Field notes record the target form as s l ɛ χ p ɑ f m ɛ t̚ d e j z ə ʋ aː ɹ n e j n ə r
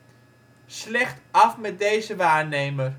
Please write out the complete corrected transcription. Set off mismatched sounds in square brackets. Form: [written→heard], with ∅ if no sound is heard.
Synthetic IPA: s l ɛ χ [p→t] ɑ f m ɛ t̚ d e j z ə ʋ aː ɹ n e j [n→m] ə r

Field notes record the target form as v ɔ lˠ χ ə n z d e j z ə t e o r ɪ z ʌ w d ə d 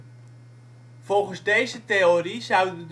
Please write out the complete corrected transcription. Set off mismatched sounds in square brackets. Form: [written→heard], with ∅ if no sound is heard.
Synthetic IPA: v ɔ lˠ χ ə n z d e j z ə t e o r [ɪ→i] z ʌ w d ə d

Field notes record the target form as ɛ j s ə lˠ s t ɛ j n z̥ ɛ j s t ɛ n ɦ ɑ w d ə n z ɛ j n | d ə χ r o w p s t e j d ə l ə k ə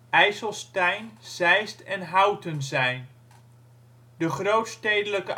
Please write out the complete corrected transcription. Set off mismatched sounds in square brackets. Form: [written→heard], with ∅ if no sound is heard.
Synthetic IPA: ɛ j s ə lˠ s t ɛ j n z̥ ɛ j s t ɛ n ɦ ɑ w [d→t] ə n z ɛ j n | d ə χ r o w [p→t] s t e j d ə l ə k ə

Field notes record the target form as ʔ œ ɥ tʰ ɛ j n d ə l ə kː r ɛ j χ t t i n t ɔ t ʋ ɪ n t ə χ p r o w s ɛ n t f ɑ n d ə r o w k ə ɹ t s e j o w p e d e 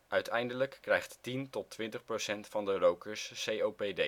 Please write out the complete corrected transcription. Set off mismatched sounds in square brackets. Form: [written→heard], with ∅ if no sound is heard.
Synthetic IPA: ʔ œ ɥ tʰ ɛ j n d ə l ə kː r ɛ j χ t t i n t ɔ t ʋ ɪ n t ə χ p r o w s ɛ n t f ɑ n d ə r o w k ə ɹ [t→s] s e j o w p e d e

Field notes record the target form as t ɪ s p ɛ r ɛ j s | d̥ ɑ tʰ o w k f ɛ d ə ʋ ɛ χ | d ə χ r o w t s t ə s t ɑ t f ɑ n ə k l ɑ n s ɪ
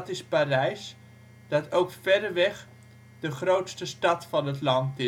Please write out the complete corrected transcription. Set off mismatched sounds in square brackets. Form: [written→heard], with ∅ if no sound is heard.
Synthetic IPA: t ɪ s p [ɛ→a] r ɛ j s | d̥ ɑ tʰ o w k f ɛ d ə ʋ ɛ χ | d ə χ r o w t s t ə s t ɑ t f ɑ n ə [k→t] l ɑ n [s→t] ɪ

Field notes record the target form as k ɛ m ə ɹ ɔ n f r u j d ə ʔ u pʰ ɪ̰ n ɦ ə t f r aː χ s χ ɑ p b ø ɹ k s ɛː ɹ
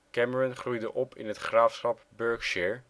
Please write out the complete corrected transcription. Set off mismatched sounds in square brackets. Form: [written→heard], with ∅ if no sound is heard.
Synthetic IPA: k ɛ m ə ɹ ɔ n [f→χ] r u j d ə ʔ [u→ɔ] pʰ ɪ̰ n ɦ ə t [f→χ] r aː [χ→f] s χ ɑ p b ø ɹ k [s→ʃ] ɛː ɹ

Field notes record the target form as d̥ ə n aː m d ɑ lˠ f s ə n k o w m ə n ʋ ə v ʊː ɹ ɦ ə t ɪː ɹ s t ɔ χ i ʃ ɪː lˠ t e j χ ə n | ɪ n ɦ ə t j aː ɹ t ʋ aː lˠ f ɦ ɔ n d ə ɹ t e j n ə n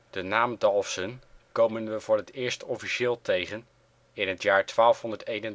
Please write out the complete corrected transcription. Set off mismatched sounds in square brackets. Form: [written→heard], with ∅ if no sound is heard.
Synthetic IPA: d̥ ə n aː m d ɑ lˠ f s ə n k o w m ə n ʋ ə v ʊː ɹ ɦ ə t ɪː ɹ s t ɔ [χ→f] i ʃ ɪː lˠ t e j χ ə n | ɪ n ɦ ə t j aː ɹ t ʋ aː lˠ f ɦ ɔ n d ə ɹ t e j n ə n

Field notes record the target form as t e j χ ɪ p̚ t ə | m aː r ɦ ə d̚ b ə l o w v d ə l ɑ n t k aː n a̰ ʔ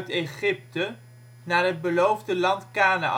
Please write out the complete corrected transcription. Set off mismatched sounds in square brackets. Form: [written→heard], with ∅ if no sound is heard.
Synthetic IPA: t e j χ ɪ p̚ t ə | [m→n] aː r ɦ ə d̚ b ə l o w v d ə l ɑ n t k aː n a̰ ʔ

